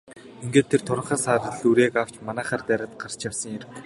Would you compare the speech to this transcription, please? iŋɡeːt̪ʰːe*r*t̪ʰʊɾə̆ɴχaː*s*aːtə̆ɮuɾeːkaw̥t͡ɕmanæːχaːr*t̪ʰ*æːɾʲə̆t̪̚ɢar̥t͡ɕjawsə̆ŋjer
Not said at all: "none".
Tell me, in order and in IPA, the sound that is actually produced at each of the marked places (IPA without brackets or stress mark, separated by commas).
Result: r, s, t̪